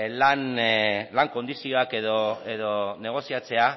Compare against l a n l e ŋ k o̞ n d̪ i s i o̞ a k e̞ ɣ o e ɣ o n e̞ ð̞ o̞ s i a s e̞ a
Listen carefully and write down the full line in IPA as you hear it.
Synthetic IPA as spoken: l a n l a ŋ k o̞ n d̪ i s i o̞ a k e̞ ð o e ð o n e̞ ɣ̞ o̞ s i a t͡s e̞ a